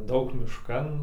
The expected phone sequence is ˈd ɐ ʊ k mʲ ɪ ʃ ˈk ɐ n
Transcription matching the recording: ˈd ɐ ʊ k mʲ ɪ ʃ ˈk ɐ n